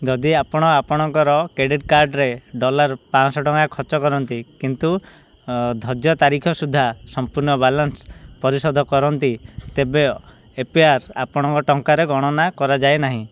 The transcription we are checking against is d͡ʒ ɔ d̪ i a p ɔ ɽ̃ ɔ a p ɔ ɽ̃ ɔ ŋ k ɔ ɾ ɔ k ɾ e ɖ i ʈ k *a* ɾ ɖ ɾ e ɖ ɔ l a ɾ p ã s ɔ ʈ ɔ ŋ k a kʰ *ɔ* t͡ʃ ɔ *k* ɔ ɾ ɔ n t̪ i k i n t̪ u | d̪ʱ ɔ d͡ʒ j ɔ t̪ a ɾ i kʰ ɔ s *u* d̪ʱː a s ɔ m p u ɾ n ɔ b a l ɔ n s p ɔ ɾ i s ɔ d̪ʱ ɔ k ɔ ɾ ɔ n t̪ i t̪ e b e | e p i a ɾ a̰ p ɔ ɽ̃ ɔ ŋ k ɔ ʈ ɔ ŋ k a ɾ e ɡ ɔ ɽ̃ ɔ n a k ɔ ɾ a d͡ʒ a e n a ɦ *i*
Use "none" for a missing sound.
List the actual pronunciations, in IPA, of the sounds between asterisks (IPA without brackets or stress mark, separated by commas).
a, ɔ, k, u, ĩ